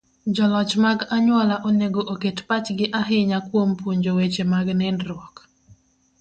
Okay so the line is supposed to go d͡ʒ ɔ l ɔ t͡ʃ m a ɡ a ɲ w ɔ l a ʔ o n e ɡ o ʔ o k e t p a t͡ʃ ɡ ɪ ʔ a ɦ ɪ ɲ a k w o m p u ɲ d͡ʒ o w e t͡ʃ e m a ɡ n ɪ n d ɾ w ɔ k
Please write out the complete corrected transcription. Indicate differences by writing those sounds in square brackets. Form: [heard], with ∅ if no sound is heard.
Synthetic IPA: d͡ʒ ɔ l ɔ t͡ʃ m a ɡ a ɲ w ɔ l a ʔ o n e ɡ o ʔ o k e t p a t͡ʃ ɡ ɪ ʔ a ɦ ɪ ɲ a k w o m p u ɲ d͡ʒ o w e t͡ʃ e m a ɡ n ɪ n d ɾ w ɔ k